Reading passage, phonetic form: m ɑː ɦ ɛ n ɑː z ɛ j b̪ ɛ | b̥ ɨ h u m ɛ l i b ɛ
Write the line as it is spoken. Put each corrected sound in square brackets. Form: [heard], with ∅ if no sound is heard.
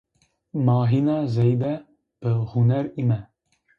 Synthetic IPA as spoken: m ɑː ɦ [i] n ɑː z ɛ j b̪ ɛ | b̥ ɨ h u [n] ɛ [ɾ] i [m] ɛ

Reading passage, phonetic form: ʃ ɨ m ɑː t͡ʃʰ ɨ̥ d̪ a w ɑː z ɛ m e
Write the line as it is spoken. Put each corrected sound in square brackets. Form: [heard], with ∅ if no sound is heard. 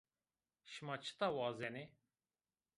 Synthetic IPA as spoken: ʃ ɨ m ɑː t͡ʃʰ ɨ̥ [t̪] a w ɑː z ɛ [n] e

